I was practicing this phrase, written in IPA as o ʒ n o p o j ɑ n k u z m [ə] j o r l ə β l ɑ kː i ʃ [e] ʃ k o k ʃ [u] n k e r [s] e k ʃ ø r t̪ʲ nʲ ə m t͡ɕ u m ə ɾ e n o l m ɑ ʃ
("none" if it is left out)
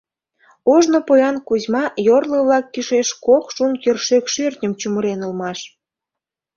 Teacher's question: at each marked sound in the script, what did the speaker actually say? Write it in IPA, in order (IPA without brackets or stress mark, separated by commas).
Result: ɑ, e, u, ʃ